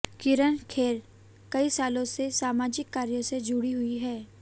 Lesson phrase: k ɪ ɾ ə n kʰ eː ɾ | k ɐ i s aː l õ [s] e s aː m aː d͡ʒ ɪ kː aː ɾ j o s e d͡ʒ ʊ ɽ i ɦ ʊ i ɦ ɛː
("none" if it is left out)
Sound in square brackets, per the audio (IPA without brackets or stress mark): s